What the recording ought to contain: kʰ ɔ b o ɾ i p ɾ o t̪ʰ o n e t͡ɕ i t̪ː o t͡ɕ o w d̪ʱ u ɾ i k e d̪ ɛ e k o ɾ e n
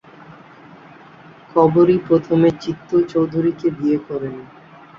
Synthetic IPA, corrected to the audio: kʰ ɔ b o ɾ i p ɾ o t̪ʰ o m e t͡ɕ i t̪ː o t͡ɕ o w d̪ʱ u ɾ i k e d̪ i e k ɔ ɾ e n